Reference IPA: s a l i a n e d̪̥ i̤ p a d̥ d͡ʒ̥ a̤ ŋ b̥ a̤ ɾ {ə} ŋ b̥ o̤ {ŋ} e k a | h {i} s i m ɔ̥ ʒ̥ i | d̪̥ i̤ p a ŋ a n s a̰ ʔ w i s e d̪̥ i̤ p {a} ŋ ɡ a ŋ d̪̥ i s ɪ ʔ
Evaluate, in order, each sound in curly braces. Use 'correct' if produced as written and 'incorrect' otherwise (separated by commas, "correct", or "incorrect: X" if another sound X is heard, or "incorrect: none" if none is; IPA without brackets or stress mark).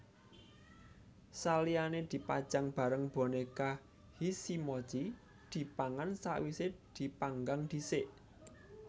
correct, incorrect: n, correct, correct